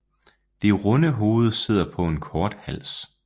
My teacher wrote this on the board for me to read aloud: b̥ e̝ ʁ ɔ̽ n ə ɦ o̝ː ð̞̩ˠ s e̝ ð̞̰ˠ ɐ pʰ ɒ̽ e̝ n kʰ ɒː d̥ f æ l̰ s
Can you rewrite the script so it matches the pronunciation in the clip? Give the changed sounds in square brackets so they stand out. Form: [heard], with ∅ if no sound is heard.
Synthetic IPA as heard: [d̥] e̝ ʁ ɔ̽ n ə ɦ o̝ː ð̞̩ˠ s e̝ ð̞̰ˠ ɐ pʰ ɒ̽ e̝ n kʰ ɒː d̥ [h] æ l̰ s